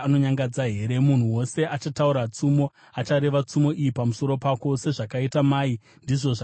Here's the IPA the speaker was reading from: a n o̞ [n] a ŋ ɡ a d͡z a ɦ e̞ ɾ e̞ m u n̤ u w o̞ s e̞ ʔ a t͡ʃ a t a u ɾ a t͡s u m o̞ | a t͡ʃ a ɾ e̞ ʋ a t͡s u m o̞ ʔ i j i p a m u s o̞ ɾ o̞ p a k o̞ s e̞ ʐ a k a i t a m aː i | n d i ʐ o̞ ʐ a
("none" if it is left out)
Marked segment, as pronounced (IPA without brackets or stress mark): ɲ